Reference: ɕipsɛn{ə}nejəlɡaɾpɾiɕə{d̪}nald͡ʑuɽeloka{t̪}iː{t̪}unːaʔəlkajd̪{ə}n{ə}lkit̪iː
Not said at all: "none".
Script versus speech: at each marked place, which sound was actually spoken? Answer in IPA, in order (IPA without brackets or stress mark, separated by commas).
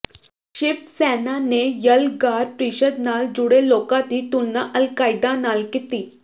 a, d̪, t̪, t̪, a, a